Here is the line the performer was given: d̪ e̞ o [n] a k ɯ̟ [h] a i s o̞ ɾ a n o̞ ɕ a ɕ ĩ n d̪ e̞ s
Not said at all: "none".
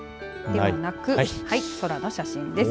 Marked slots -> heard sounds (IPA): n, h

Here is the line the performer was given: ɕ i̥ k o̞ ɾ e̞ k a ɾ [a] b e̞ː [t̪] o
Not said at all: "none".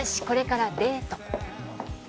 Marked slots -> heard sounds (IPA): a, t̪

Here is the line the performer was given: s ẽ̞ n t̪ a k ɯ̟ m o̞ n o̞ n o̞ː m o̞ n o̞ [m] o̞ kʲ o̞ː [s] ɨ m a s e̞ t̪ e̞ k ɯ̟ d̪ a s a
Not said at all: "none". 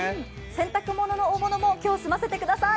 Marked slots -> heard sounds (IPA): m, s

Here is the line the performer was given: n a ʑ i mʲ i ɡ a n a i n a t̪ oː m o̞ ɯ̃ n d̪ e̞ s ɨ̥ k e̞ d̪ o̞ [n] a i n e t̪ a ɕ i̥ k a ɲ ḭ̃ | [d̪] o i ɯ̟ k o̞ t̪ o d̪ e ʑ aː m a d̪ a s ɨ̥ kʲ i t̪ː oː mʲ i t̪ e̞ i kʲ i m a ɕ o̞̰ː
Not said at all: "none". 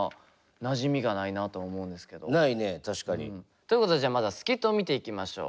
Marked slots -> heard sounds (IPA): n, t̪

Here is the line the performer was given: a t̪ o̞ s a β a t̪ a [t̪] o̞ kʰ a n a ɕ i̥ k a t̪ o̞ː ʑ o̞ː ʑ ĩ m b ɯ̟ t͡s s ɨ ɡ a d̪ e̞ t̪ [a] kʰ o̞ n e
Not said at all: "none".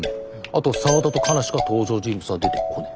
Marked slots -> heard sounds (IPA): t̪, e

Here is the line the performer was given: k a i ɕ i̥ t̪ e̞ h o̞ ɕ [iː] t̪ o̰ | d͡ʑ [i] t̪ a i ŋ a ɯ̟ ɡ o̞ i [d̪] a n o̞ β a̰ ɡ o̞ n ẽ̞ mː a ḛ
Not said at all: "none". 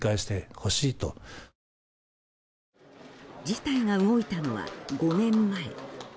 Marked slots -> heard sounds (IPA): iː, i, t̪

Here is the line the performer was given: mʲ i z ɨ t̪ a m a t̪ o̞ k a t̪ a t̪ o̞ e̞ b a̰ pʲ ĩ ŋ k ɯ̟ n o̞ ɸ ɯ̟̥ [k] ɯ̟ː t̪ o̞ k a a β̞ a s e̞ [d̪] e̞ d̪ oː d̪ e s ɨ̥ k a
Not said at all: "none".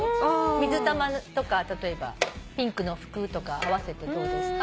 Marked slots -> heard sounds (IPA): k, t̪

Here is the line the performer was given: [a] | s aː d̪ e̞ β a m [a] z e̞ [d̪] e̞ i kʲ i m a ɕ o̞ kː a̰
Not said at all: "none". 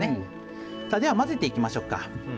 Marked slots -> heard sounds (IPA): e, a, t̪

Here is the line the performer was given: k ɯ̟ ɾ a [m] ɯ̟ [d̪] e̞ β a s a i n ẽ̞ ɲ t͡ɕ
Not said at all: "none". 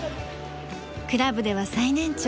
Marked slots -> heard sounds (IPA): b, d̪

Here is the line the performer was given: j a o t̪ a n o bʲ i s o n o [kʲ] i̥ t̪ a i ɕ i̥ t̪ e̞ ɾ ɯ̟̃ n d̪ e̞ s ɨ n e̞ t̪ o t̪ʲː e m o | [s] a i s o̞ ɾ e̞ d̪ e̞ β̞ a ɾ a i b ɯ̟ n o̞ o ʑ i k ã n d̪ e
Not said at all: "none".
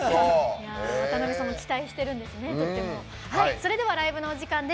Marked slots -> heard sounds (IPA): kʲ, h

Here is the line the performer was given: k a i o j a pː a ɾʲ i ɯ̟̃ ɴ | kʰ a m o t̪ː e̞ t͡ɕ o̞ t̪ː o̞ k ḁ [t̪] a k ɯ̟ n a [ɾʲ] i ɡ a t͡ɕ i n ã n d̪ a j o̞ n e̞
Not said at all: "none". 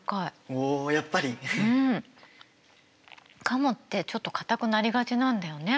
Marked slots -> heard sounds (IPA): t̪, ɾʲ

